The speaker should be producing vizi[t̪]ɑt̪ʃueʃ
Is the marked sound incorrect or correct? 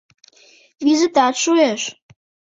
correct